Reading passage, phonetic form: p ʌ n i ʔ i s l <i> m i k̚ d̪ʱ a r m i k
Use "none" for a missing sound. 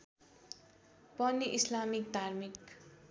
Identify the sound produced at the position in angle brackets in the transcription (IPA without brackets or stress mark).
a